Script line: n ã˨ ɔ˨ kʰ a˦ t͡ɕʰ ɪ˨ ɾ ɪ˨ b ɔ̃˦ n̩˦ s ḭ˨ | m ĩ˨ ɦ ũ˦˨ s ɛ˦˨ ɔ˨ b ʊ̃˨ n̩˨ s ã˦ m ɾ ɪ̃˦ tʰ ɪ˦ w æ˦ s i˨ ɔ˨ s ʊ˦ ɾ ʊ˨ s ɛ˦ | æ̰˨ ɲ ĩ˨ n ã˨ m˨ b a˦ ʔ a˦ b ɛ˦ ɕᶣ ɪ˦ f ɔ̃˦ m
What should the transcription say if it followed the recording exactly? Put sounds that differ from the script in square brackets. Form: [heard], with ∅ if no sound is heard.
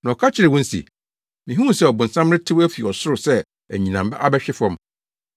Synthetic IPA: n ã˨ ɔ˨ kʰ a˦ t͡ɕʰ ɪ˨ ɾ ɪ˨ [w] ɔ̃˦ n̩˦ s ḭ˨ | m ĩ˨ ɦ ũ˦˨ s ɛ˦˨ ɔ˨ b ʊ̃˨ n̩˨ s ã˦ m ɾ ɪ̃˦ tʰ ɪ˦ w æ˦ [f] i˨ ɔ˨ s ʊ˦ ɾ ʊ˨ s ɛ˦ | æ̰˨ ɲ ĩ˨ n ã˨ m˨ b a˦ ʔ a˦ b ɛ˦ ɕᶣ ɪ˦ f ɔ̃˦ m